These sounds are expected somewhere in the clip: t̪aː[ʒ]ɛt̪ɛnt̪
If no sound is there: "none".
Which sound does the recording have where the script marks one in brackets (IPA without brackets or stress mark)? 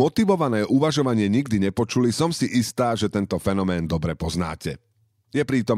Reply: ʒ